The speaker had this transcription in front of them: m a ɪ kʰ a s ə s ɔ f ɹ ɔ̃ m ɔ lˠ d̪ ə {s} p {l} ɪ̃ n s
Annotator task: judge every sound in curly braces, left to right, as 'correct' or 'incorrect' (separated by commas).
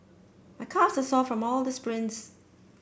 correct, incorrect